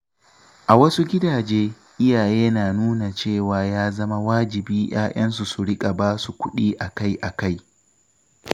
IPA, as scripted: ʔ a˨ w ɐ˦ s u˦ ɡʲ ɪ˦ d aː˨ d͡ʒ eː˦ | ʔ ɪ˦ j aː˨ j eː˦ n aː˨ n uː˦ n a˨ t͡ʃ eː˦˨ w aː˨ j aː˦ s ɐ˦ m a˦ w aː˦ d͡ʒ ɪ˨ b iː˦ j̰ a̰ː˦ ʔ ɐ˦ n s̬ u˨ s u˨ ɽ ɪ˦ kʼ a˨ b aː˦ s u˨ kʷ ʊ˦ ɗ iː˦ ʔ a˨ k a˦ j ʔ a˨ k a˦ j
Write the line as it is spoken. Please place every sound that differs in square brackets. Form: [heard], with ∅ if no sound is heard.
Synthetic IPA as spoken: ʔ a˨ w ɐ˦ s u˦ ɡʲ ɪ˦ d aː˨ d͡ʒ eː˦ | ʔ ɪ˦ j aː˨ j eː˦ n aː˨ n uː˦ n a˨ t͡ʃ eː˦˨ w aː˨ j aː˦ [z] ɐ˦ m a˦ w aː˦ d͡ʒ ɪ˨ b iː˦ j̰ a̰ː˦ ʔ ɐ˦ n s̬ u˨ s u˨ ɽ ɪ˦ kʼ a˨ b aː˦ s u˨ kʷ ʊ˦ ɗ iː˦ ʔ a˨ k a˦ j ʔ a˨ k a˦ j

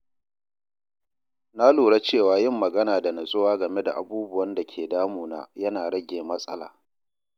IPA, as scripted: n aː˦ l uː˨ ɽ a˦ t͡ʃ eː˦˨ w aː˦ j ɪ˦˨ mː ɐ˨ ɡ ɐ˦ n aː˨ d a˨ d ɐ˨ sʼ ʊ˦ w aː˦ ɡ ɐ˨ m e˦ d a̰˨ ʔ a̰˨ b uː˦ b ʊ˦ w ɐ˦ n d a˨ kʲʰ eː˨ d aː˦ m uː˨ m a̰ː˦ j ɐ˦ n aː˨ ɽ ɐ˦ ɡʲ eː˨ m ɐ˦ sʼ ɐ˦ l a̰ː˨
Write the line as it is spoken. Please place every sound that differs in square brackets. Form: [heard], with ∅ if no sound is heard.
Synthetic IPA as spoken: n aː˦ l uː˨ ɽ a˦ t͡ʃ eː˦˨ w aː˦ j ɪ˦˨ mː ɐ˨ ɡ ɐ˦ n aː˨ d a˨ [n] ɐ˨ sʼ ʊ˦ w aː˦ ɡ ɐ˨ m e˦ d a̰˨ ʔ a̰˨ b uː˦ b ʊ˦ w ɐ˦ n d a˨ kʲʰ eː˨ d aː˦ m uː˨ [n] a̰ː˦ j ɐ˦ n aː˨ ɽ ɐ˦ ɡʲ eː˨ m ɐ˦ sʼ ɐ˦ l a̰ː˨

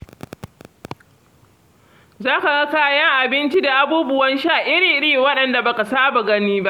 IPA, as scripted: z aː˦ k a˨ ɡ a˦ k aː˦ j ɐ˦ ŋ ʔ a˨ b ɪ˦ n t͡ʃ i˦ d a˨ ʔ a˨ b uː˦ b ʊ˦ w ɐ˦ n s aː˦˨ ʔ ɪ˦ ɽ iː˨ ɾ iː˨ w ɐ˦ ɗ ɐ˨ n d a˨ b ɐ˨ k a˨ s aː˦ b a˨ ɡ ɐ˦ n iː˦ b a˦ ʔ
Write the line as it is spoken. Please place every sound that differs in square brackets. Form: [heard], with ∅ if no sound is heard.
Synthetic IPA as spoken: z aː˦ k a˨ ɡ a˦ k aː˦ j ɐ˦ ŋ ʔ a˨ b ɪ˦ n t͡ʃ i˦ d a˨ ʔ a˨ b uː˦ b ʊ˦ w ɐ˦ n [ʃ] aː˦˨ ʔ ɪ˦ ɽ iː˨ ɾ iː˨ w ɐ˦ ɗ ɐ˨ n d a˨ b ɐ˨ k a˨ s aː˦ b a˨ ɡ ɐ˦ n iː˦ b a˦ ʔ

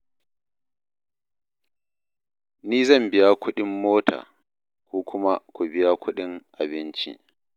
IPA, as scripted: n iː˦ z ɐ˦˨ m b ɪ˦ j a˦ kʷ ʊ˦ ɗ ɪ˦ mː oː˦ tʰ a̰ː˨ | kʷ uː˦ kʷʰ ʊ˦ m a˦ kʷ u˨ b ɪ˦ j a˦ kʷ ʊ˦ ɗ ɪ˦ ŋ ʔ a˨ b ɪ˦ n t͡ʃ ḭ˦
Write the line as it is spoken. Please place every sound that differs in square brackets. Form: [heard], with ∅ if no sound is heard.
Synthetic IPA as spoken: n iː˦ z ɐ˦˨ m b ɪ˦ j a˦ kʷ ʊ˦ ɗ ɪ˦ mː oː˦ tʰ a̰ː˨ | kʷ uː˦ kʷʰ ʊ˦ m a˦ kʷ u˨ b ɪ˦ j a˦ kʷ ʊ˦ ɗ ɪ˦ ŋ ʔ a˨ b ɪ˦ n t͡ʃ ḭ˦

